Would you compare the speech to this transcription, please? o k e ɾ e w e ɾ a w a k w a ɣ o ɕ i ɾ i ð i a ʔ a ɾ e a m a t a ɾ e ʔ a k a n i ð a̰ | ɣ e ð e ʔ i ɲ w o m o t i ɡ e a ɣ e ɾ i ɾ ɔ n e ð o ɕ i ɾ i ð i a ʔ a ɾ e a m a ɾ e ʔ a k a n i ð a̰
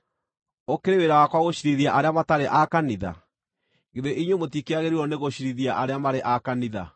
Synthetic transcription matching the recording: o k e ɾ e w e ɾ a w a k w a ɣ o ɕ i ɾ i ð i a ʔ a ɾ e a m a t a ɾ e ʔ a k a n i ð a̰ | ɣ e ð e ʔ i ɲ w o m o t i k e a ɣ e ɾ i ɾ ɔ n e ɣ o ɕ i ɾ i ð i a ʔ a ɾ e a m a ɾ e ʔ a k a n i ð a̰